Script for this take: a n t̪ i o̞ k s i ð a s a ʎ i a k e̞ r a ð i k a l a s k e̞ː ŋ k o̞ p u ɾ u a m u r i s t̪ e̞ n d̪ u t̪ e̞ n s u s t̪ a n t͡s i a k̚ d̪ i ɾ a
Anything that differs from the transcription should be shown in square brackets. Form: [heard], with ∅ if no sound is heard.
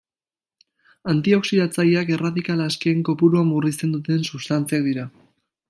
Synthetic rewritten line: a n t̪ i o̞ k s i ð a [t͡s] a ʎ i a k e̞ r a ð i k a l a s k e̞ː ŋ k o̞ p u ɾ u a m u r i s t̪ e̞ n d̪ u t̪ e̞ n s u s t̪ a n t͡s i a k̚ d̪ i ɾ a